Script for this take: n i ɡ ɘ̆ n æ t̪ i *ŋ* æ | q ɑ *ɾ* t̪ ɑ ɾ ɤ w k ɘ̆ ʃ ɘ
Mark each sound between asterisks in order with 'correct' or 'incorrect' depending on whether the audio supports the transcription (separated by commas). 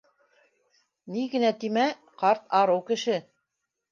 incorrect, correct